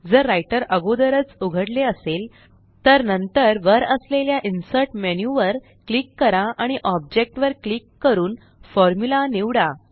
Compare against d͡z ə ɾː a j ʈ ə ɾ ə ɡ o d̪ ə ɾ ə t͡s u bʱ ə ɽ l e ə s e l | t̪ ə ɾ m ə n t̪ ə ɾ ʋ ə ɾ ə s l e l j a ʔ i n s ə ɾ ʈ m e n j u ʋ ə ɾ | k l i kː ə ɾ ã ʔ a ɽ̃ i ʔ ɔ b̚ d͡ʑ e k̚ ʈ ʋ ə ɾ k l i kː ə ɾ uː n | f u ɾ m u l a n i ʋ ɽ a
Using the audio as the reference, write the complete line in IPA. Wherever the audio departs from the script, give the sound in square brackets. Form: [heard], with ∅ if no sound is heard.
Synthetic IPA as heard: d͡z ə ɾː a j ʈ ə ɾ ə ɡ o d̪ ə ɾ ə t͡s u [ɡʱ] ə ɽ l e ə s e l | t̪ ə ɾ [n] ə n t̪ ə ɾ ʋ ə ɾ ə s l e l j a ʔ i n s ə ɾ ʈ m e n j u ʋ ə ɾ | k l i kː ə ɾ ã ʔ a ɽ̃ i ʔ ɔ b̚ d͡ʑ e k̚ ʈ ʋ ə ɾ k l i kː ə ɾ uː n | f [ɔ] ɾ m u l a n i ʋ ɽ a

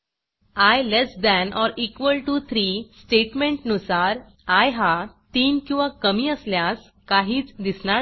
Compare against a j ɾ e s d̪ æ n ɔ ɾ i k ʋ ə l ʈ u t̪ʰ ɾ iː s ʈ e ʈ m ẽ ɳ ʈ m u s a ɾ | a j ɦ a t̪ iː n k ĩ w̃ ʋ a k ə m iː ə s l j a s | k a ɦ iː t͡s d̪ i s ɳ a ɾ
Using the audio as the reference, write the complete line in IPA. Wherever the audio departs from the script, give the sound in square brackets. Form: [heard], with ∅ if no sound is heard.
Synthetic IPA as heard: a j [l] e s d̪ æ n ɔ ɾ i k ʋ ə l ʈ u t̪ʰ ɾ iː s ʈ e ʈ m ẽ ɳ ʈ [n] u s a ɾ | a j ɦ a t̪ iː n k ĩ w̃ ʋ a k ə m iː ə s l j a s | k a ɦ iː t͡s d̪ i s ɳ a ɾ

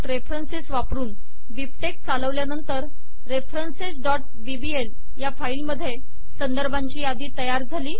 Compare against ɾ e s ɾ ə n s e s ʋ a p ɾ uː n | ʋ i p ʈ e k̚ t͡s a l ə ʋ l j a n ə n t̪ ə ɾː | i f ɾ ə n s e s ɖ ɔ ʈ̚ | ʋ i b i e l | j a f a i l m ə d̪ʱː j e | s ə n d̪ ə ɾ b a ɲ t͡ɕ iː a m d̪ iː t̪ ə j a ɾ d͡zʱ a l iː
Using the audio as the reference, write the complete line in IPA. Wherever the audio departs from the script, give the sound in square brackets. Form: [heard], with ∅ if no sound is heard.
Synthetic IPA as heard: ɾ e [f] ɾ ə n s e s ʋ a p ɾ uː n | ʋ i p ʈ e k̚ t͡s a l ə ʋ l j a n ə n t̪ ə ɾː | [e] f ɾ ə n s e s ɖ ɔ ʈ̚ | ʋ i b i e l | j a f a i l m ə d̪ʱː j e | s ə n d̪ ə ɾ b a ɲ t͡ɕ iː a [∅] d̪ iː t̪ ə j a ɾ d͡zʱ a l iː

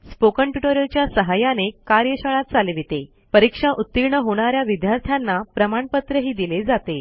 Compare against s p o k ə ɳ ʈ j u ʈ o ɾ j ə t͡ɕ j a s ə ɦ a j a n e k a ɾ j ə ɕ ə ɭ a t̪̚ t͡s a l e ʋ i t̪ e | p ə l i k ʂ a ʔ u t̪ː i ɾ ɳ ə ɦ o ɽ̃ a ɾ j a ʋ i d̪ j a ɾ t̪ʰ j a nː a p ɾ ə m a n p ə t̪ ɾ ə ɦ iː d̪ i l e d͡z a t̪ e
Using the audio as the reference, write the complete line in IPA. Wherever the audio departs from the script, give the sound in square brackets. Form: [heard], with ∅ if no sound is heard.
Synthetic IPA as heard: s p o k ə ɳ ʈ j u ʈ o ɾ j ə t͡ɕ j a s ə ɦ a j a n e k a ɾ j ə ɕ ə ɭ a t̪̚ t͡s a l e ʋ i t̪ e | p ə [ɾ] i k ʂ a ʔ u t̪ː i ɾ ɳ ə ɦ o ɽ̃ a ɾ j a ʋ i d̪ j a ɾ t̪ʰ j a nː a p ɾ ə m a [ɳ] p ə t̪ ɾ ə ɦ iː d̪ i l e d͡z a t̪ e

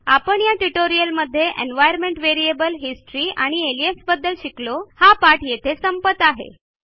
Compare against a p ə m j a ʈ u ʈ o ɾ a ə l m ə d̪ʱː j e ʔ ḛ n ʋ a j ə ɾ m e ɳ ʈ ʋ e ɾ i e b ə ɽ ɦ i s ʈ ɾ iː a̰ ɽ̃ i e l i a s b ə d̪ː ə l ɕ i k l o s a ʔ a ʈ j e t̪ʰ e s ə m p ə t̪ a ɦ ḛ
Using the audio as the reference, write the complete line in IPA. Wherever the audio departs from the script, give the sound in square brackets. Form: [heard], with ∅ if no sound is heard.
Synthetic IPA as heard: a p ə [ɳ] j a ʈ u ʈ o ɾ [i] ə l m ə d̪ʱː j e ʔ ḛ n ʋ a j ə ɾ m e ɳ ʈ ʋ e ɾ i e b ə [l] ɦ i s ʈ ɾ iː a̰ ɽ̃ i e l i [e] s b ə d̪ː ə l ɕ i k l o [h] a [p] a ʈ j e t̪ʰ e s ə m p ə t̪ a ɦ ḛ

